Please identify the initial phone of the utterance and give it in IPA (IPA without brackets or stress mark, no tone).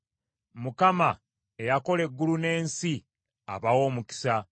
m